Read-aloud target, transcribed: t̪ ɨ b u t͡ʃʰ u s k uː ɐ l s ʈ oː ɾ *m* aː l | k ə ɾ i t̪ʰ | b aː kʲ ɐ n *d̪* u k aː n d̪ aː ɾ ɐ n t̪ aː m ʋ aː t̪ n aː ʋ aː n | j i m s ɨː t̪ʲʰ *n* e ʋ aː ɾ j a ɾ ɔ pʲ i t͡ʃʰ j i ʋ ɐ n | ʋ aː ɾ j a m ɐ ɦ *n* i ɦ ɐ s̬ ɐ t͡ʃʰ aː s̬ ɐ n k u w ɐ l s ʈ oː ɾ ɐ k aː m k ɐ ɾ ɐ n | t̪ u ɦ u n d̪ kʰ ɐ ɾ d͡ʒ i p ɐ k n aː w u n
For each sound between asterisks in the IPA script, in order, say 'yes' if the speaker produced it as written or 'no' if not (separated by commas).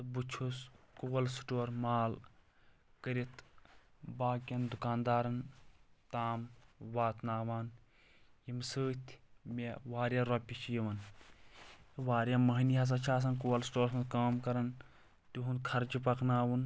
yes, yes, no, yes